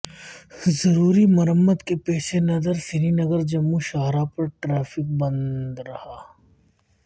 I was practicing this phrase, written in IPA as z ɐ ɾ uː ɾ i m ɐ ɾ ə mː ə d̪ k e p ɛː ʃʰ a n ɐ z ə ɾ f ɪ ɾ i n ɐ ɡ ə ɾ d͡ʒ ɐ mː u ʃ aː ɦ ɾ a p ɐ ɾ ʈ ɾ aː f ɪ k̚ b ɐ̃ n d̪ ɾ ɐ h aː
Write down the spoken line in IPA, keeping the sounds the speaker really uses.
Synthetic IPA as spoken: z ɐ ɾ uː ɾ i m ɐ ɾ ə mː ə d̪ k e p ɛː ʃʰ e n ɐ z ə ɾ s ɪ ɾ i n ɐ ɡ ə ɾ d͡ʒ ɐ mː u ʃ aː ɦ ɾ a p ɐ ɾ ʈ ɾ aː f ɪ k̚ b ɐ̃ n d̪ ɾ ɐ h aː